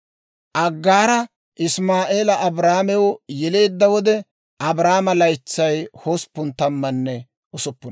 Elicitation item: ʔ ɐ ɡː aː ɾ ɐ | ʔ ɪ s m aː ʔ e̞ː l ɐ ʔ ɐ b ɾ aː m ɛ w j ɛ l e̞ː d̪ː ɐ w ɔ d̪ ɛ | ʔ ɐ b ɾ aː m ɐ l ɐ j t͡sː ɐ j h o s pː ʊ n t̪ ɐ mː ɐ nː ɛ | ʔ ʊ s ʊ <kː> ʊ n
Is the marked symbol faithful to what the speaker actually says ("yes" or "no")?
no